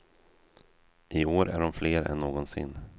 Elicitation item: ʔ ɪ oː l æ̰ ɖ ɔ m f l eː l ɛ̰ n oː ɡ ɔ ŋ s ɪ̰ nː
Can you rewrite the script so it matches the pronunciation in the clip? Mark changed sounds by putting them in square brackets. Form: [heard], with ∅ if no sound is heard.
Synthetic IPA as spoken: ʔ ɪ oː [ɾ] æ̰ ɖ ɔ m f l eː [ɾ] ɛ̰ [nː] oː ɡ ɔ [n] s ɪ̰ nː